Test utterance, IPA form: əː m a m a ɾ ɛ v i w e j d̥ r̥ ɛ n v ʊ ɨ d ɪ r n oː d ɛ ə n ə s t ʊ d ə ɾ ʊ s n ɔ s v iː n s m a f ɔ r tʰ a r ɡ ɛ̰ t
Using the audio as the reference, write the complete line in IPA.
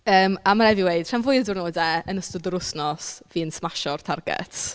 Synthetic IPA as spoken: əː m a m a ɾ ɛ v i w e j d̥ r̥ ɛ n v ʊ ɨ d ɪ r n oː d ɛ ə n ə s t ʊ d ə ɾ ʊ s n ɔ s v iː n s m a ʃ ɔ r tʰ a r ɡ ɛ̰ t

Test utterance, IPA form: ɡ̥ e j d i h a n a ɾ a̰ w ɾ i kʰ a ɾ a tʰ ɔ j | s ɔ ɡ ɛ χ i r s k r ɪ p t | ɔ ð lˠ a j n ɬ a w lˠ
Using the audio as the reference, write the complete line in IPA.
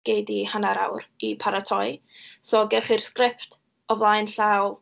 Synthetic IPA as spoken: ɡ̥ e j d i h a n a ɾ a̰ w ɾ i pʰ a ɾ a tʰ ɔ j | s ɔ ɡ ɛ χ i r s k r ɪ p t | ɔ v lˠ a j n ɬ a w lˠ

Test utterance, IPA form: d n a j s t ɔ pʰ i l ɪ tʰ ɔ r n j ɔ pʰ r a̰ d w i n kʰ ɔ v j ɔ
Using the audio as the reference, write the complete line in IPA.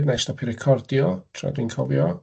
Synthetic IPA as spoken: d n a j s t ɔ pʰ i ɾ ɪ kʰ ɔ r d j ɔ tʰ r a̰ d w i n kʰ ɔ v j ɔ

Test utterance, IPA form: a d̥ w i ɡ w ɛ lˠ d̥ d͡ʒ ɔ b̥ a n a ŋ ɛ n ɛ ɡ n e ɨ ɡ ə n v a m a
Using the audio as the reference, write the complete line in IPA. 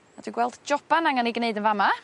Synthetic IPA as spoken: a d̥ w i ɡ w ɛ lˠ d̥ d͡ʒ ɔ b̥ a n a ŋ a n i ɡ n e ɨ d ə n v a m a

